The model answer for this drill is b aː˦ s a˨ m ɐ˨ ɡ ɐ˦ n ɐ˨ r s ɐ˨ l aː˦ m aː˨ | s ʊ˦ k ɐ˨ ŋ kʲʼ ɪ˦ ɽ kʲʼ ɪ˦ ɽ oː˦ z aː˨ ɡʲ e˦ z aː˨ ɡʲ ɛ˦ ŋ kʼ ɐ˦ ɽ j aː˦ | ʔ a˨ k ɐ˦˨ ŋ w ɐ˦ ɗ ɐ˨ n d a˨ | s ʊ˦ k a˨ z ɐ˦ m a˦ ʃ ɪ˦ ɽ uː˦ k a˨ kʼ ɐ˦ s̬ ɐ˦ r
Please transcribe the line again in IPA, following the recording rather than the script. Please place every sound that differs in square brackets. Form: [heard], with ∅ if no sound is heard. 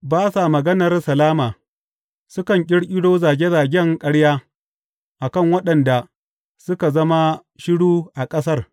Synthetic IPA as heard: b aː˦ s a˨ m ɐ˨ ɡ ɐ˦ n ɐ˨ r s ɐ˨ l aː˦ m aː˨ | s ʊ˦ k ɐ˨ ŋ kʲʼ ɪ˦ ɽ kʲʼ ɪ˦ ɽ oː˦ z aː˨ ɡʲ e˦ z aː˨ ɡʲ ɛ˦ ŋ kʼ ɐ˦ ɽ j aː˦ | ʔ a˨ k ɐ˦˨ ŋ w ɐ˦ ɗ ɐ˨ n d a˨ | s ʊ˦ k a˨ z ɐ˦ m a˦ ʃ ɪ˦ ɽ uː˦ [ʔ] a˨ kʼ ɐ˦ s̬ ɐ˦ r